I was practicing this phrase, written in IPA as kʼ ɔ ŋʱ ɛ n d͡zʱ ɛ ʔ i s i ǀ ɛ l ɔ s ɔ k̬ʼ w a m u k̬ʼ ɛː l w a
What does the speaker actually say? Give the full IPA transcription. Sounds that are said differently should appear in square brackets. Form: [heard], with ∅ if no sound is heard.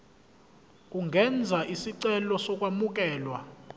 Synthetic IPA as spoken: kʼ [u] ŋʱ ɛ n d͡zʱ [a] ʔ i s i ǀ ɛ l ɔ s ɔ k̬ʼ w a m u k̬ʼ ɛː l w a

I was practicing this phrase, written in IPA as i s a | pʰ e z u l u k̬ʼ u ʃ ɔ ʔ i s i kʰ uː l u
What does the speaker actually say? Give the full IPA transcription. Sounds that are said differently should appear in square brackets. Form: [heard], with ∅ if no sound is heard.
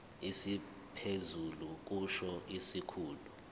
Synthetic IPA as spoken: i s [i] | pʰ e z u l u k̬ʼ u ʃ ɔ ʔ i s i kʰ uː l u

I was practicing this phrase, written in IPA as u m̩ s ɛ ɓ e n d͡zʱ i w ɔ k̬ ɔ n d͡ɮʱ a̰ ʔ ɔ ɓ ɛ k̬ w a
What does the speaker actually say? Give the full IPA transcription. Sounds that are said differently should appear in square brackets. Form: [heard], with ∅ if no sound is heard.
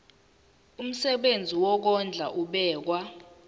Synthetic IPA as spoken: u m̩ s ɛ ɓ e n d͡zʱ i w ɔ k̬ ɔ n d͡ɮʱ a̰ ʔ [u] ɓ [ɛː] k̬ w a

